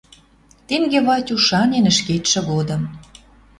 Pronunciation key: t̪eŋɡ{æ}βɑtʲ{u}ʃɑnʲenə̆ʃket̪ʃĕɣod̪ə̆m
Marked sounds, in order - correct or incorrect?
incorrect: e, correct

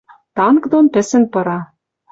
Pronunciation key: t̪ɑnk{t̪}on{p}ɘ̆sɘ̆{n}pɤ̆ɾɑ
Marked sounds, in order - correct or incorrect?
incorrect: d̪, correct, correct

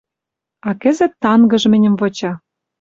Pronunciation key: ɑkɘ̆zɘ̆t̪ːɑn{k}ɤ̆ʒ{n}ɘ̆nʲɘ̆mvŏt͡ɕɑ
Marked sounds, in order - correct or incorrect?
incorrect: ɡ, incorrect: m

